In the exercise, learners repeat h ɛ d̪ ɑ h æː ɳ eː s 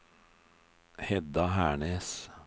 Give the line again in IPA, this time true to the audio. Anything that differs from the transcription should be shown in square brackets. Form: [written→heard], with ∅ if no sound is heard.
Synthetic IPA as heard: h ɛ d̪ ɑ h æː ɳ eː s